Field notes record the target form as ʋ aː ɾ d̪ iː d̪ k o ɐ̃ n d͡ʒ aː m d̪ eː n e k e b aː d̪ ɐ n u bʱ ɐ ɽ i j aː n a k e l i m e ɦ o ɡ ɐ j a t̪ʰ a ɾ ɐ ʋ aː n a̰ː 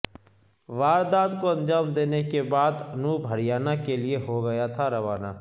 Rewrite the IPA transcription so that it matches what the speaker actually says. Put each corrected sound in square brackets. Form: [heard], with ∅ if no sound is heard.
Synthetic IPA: ʋ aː ɾ d̪ [aː] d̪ k o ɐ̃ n d͡ʒ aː m d̪ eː n e k e b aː d̪ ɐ n u bʱ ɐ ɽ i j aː n a k e l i [∅] e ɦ o ɡ ɐ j a t̪ʰ a ɾ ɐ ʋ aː n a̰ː